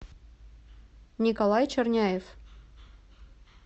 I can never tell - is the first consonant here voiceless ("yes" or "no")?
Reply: no